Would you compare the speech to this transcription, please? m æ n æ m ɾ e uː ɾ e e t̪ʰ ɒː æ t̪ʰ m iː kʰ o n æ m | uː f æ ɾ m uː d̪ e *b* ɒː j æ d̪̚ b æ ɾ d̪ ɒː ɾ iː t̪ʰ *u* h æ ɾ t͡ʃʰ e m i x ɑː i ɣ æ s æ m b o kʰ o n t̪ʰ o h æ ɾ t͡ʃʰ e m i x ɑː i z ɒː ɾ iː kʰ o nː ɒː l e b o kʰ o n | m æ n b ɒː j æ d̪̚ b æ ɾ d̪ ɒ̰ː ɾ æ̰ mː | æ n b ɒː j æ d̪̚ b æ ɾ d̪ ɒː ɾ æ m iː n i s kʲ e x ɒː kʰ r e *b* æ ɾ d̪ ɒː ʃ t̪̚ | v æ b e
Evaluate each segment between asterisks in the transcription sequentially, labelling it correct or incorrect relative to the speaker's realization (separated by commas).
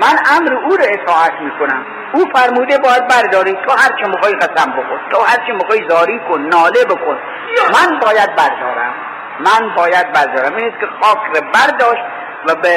correct, incorrect, correct